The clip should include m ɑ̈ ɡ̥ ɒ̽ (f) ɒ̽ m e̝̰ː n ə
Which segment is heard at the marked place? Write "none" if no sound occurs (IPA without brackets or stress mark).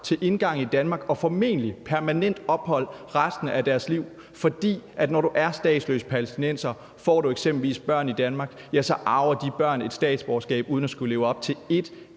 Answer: f